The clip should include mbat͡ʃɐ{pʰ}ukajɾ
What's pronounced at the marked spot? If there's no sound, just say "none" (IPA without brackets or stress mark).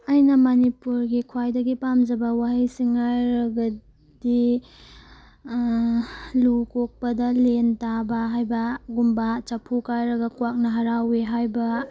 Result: pʰ